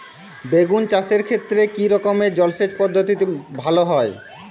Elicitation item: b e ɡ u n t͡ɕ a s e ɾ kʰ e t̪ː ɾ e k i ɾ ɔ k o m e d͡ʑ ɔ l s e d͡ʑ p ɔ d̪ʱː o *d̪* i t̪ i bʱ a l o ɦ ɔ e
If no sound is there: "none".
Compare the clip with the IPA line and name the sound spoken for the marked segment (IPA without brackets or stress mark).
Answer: t̪